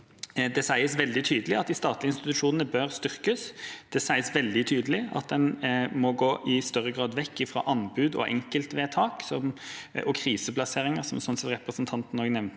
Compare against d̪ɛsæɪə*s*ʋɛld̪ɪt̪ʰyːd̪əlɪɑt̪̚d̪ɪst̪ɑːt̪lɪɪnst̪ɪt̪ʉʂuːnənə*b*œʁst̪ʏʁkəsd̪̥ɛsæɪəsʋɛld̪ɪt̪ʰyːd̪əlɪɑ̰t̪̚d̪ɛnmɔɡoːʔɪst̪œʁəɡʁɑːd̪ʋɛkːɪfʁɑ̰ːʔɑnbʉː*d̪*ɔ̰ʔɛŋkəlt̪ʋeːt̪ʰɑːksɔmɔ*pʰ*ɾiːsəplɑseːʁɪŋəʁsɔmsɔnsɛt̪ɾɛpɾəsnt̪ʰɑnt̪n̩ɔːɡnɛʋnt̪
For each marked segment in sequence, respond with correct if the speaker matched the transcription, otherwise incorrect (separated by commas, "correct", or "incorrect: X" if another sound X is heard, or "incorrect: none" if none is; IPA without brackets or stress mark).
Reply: correct, correct, correct, incorrect: kʰ